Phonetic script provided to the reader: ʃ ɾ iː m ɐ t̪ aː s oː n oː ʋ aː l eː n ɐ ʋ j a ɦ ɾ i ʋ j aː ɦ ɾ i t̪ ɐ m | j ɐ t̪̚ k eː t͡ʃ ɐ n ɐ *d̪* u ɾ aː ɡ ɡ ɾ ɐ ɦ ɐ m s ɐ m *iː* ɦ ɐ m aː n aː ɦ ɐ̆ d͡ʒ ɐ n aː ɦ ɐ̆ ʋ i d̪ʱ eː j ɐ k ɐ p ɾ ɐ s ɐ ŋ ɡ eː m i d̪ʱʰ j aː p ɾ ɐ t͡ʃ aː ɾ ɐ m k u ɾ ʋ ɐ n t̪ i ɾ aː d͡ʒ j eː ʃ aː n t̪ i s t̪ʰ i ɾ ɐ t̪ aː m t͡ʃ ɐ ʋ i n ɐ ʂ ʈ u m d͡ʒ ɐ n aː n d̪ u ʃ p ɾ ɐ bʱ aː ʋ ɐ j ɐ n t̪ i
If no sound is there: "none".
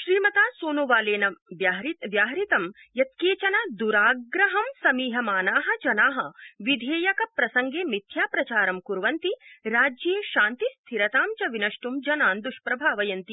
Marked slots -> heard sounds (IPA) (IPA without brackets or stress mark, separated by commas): d̪, iː